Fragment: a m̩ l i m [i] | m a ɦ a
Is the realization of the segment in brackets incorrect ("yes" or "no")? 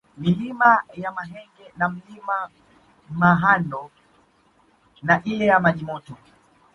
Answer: yes